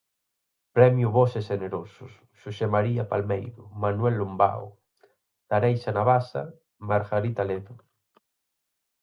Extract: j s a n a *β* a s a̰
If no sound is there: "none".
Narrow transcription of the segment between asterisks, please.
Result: β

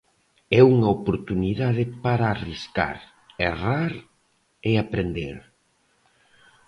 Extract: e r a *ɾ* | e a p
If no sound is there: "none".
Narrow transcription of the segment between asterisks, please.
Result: ɾ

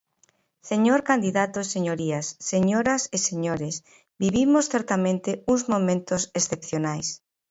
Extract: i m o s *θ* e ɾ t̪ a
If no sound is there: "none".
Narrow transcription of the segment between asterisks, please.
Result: θ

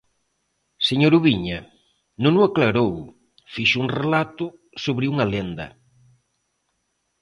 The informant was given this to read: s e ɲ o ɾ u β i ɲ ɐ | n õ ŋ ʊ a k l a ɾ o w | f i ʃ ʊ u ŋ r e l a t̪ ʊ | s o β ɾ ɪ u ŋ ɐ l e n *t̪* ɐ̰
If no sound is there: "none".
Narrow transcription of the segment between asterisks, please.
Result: d̪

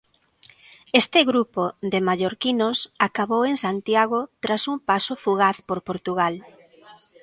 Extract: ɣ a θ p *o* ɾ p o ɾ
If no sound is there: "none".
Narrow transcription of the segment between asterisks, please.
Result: o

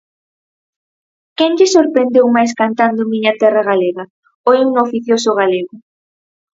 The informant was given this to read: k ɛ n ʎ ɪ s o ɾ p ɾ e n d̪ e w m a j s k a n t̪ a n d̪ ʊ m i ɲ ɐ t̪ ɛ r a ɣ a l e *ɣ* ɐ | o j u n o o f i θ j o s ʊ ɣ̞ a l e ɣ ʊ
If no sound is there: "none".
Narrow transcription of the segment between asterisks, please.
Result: ɣ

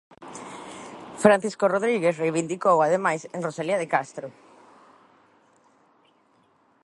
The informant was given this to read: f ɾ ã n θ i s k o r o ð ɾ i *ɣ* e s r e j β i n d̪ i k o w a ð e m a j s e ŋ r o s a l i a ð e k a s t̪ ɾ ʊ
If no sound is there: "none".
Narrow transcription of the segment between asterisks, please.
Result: ɣ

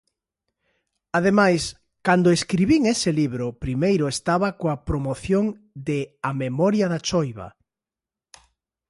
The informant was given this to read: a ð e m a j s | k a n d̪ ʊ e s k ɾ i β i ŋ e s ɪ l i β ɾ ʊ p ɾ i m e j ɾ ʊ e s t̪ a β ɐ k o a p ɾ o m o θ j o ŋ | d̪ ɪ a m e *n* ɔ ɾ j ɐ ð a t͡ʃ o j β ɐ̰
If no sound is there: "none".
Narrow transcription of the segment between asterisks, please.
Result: m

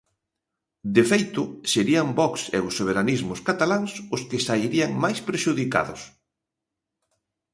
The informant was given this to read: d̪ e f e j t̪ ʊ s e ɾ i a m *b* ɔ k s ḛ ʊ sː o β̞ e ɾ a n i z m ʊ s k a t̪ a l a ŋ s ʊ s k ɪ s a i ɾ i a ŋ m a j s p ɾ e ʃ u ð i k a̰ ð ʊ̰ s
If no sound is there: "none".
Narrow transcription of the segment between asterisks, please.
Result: b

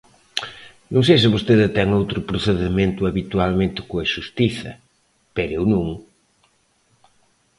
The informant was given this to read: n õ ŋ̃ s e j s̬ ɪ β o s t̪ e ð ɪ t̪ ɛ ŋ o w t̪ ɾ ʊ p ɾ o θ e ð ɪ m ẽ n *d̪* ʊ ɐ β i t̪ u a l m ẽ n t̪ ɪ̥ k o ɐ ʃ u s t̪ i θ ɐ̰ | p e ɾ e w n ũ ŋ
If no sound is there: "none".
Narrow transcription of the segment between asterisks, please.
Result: t̪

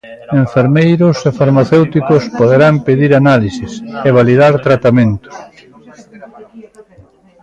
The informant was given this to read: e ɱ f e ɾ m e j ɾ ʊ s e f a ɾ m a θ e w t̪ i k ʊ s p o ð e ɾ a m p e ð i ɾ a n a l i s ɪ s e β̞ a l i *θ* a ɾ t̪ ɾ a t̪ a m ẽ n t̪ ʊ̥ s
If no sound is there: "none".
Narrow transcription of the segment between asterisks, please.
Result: ð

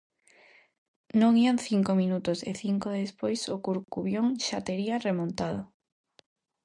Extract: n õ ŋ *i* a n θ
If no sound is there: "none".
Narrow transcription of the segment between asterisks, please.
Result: i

